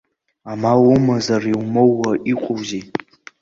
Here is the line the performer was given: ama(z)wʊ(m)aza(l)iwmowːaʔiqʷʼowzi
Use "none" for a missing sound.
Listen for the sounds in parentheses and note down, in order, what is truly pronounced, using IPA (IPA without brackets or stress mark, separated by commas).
none, m, r